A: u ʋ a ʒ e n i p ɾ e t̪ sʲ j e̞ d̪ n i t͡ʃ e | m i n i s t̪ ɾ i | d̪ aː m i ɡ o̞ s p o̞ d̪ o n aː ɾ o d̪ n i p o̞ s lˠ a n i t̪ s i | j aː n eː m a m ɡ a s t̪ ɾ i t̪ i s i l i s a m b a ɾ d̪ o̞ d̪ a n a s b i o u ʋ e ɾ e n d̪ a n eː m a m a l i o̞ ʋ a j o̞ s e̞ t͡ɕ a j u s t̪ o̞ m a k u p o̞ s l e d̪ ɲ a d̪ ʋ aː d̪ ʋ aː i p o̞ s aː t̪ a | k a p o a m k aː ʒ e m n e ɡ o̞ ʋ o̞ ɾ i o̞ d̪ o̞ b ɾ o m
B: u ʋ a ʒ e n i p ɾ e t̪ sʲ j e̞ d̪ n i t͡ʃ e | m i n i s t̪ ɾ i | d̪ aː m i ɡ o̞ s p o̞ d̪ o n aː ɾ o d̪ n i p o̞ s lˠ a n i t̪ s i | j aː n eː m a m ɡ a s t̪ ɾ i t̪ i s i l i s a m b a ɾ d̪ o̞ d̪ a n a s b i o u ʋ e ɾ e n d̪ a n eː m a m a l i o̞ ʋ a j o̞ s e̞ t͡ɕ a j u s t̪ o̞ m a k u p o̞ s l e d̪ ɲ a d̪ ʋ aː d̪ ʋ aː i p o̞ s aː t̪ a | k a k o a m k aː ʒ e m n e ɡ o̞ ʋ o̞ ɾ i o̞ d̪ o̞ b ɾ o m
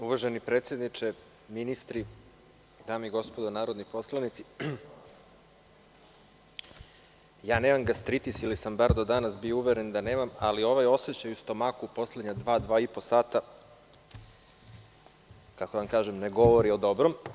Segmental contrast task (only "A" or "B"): B